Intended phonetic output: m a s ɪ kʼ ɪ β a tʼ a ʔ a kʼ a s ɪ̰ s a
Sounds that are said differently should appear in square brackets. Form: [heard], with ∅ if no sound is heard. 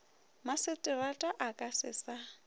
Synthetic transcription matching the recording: m a s ɪ [tʼ] ɪ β a tʼ a ʔ a kʼ a s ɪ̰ s a